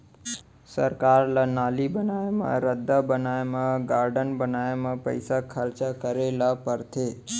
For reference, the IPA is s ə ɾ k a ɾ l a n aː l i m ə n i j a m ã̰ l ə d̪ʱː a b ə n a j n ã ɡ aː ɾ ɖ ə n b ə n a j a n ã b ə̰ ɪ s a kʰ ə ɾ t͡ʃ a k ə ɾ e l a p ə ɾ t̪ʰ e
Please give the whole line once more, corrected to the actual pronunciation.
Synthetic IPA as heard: s ə ɾ k a ɾ l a n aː l i b ə n a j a m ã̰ ɾ ə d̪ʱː a b ə n a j m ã ɡ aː ɾ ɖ ə n b ə n a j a m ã p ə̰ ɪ s a kʰ ə ɾ t͡ʃ a k ə ɾ e l a p ə ɾ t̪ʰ e